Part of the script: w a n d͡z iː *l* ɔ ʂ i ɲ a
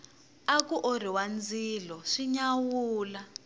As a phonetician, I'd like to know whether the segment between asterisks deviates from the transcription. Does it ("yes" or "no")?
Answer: no